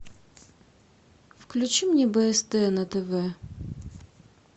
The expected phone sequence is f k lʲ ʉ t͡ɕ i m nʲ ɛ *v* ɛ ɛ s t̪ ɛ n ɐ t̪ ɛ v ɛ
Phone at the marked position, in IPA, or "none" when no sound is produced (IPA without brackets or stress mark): b